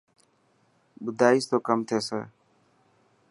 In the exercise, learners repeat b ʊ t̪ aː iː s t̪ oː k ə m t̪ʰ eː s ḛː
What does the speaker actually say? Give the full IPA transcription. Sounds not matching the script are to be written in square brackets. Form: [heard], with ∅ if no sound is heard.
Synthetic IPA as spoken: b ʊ [d̪] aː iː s t̪ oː k ə m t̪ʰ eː s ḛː